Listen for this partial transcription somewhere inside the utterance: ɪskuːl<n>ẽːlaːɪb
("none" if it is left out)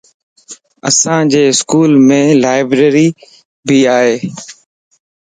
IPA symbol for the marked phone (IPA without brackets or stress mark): m